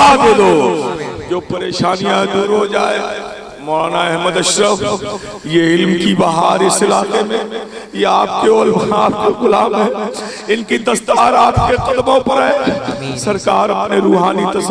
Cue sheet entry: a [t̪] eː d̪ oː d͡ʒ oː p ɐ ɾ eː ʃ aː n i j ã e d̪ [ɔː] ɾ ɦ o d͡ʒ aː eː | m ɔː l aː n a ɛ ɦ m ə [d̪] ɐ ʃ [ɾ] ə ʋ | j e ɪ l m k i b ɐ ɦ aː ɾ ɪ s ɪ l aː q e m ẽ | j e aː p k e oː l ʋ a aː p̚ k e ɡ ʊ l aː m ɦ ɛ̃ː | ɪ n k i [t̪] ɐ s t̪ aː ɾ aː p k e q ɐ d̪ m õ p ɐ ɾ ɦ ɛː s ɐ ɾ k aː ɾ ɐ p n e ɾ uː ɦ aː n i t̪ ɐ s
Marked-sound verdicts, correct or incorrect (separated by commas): incorrect, incorrect, correct, correct, incorrect